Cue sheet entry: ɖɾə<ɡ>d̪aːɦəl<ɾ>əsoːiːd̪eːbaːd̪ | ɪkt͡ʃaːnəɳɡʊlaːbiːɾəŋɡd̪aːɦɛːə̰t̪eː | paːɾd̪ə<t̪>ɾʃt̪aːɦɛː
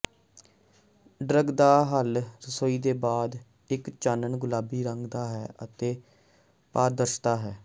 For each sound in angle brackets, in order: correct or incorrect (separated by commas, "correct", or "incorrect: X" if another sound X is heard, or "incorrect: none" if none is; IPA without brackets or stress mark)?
correct, correct, incorrect: none